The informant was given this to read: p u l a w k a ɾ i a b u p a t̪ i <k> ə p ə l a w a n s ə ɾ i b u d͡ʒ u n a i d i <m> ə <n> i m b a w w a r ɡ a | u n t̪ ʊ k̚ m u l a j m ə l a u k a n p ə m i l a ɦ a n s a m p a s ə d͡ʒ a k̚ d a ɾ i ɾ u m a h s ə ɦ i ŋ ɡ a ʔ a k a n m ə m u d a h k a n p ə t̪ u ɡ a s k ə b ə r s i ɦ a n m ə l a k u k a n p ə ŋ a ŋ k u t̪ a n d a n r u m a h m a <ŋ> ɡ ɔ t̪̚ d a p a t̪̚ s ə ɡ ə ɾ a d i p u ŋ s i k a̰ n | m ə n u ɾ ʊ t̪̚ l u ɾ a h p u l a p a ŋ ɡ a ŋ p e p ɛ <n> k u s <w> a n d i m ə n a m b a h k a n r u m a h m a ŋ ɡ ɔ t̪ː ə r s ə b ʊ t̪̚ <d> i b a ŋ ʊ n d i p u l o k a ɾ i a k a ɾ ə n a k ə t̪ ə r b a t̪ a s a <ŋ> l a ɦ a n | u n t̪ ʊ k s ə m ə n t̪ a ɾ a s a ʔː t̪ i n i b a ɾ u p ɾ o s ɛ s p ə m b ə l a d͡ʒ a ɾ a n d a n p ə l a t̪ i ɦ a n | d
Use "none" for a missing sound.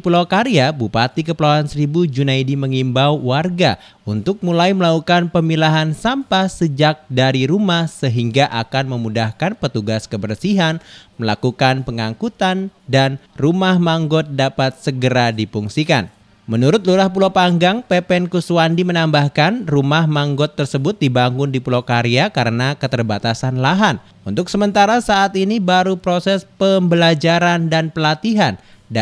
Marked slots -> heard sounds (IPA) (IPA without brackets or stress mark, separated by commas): k, m, ŋ, ŋ, n, w, d, n